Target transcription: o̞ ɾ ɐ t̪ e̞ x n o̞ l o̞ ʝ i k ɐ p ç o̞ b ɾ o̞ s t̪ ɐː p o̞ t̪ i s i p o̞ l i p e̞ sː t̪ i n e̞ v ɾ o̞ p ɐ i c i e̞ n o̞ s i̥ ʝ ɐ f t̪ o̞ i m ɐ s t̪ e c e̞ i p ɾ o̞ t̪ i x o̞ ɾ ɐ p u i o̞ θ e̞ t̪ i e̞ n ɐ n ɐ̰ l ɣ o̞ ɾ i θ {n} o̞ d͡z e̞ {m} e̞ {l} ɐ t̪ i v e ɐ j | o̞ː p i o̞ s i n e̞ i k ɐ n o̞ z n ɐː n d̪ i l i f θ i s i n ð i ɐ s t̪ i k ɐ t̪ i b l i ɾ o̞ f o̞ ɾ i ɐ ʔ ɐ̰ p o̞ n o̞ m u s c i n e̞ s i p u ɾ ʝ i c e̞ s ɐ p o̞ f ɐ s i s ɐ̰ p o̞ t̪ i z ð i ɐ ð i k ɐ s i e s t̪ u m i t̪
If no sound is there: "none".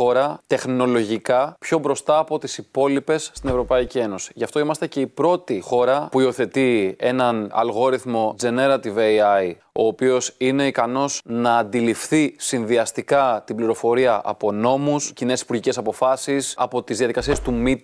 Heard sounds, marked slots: m, n, ɾ

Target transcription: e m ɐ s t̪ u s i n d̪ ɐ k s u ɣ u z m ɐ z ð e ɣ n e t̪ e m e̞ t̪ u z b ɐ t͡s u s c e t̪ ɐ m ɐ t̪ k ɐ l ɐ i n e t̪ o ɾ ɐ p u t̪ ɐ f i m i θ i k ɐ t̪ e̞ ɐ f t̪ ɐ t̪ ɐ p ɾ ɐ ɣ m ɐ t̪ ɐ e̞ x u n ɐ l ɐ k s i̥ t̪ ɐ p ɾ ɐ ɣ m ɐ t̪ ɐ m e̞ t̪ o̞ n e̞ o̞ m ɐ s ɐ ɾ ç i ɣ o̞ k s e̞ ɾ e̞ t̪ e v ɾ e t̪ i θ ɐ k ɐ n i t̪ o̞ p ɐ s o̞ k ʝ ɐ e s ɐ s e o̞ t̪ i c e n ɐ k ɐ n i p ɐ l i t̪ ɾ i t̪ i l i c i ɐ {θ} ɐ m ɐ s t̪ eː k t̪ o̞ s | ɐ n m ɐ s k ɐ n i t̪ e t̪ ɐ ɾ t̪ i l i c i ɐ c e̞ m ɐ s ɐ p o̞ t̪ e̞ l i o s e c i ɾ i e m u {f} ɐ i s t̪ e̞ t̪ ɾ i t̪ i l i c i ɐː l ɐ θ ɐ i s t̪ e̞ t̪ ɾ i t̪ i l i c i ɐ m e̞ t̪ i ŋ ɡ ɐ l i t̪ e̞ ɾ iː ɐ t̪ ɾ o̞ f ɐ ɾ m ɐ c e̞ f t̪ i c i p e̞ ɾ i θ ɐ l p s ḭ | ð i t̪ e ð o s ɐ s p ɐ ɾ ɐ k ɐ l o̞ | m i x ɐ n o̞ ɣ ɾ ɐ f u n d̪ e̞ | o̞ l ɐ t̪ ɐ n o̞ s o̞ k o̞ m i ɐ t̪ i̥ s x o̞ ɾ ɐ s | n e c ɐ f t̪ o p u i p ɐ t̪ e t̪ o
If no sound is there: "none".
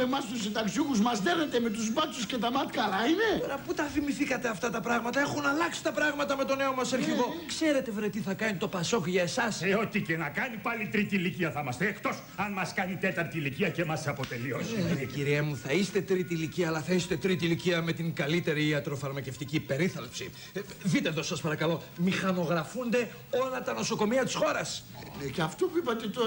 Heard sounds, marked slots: θ, θ

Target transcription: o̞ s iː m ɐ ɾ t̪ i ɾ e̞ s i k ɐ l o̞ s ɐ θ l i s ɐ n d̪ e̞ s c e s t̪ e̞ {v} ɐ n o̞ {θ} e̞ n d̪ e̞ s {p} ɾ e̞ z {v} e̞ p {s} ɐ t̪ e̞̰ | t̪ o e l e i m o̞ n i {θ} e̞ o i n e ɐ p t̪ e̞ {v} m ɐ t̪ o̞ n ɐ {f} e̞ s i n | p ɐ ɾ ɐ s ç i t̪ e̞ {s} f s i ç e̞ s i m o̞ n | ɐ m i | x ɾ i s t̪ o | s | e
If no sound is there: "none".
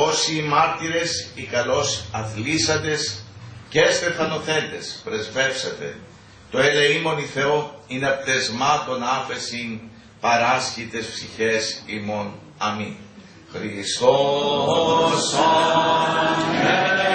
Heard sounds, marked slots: f, θ, p, v, s, θ, z, f, s

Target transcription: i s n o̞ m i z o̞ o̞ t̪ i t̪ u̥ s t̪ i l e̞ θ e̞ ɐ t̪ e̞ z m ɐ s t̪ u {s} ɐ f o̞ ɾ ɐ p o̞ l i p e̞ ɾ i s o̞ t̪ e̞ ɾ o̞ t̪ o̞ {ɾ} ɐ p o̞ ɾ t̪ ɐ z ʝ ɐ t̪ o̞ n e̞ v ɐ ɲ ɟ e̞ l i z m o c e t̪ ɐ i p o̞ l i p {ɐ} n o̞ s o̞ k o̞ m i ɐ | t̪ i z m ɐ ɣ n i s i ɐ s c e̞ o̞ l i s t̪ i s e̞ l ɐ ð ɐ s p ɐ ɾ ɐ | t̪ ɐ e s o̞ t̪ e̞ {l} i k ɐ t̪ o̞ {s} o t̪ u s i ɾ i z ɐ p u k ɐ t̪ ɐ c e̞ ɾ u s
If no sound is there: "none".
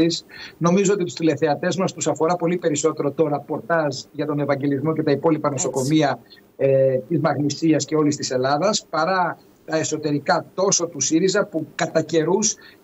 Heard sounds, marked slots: s, ɾ, ɐ, ɾ, s

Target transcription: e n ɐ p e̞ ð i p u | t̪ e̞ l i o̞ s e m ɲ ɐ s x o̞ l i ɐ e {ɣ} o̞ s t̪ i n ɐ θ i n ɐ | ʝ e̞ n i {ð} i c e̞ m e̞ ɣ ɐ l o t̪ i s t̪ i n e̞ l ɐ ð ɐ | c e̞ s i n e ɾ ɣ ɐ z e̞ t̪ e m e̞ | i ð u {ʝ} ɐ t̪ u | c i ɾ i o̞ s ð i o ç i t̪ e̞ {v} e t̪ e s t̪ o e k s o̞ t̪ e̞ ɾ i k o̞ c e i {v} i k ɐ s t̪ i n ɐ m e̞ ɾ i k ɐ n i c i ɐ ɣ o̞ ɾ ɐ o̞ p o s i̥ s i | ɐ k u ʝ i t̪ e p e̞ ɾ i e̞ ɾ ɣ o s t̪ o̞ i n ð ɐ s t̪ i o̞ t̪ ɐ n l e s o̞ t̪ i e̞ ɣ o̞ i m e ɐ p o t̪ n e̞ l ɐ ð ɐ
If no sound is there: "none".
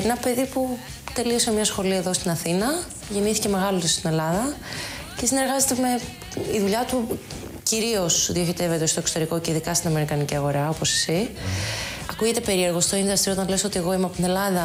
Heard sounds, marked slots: ð, θ, ʎ, v, ð

